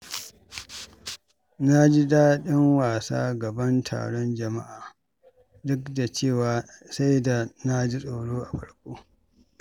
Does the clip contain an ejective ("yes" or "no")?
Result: yes